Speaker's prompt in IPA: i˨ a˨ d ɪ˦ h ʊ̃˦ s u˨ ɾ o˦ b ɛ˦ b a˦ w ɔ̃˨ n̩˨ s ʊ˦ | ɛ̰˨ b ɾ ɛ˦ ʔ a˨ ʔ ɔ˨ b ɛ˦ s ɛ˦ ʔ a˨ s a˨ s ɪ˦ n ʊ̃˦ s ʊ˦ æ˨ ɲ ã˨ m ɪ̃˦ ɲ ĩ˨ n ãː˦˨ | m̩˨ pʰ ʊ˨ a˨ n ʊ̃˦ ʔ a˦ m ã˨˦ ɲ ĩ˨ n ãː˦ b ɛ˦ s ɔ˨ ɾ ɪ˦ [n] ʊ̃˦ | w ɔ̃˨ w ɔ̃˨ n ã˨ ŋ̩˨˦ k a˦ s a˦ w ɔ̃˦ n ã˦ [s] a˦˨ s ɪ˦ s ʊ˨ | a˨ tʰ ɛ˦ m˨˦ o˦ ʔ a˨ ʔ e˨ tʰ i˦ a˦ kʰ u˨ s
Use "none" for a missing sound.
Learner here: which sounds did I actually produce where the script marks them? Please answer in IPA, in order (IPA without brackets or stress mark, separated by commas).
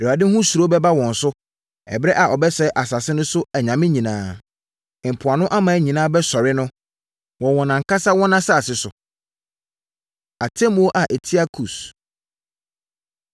n, s